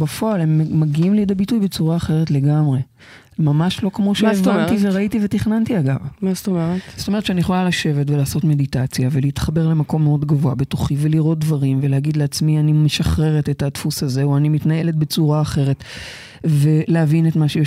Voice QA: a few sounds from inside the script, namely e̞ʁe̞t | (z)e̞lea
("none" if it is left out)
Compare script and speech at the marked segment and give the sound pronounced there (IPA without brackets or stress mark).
v